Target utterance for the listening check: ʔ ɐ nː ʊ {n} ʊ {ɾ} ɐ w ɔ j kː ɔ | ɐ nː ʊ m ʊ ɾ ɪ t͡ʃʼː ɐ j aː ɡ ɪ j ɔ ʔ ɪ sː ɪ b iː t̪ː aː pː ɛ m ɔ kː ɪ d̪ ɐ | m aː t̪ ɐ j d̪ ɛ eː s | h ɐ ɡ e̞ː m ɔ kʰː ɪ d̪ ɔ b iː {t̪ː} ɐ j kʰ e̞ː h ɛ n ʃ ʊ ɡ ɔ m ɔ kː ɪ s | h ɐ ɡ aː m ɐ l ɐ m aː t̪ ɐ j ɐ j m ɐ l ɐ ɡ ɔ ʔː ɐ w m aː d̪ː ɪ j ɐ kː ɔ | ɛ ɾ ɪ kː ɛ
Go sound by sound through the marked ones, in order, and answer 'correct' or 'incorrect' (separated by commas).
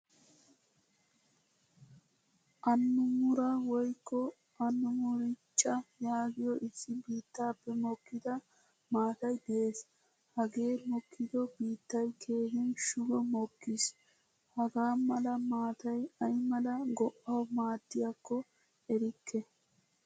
incorrect, correct, correct